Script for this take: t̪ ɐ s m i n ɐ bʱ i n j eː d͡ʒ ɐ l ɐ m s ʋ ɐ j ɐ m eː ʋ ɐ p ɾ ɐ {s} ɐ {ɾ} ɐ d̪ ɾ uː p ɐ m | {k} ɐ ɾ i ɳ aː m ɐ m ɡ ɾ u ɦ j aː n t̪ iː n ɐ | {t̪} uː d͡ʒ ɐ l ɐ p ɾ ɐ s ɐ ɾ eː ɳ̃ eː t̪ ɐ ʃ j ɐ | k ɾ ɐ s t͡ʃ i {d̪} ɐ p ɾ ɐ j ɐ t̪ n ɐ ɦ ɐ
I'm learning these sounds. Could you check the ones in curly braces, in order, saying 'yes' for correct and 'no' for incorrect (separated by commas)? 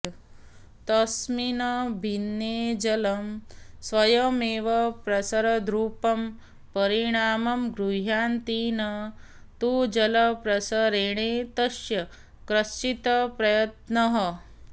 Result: yes, yes, no, yes, no